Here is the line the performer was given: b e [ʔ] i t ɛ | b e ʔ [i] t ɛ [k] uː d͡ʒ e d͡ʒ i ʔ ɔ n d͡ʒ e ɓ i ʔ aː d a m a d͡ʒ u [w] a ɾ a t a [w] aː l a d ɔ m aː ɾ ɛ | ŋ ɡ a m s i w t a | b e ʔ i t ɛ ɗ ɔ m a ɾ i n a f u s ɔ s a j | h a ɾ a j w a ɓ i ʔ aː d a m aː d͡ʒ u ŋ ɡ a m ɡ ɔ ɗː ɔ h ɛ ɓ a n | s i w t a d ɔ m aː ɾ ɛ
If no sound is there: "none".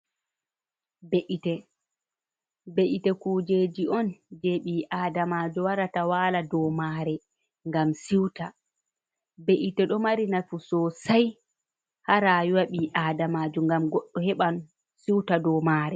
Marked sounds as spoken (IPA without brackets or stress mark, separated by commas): ʔ, i, k, w, w